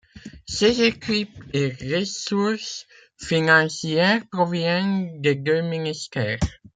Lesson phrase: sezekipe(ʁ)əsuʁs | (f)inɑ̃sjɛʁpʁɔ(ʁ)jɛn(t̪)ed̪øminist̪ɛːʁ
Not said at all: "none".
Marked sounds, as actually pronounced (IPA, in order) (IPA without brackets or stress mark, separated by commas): ʁ, f, v, d̪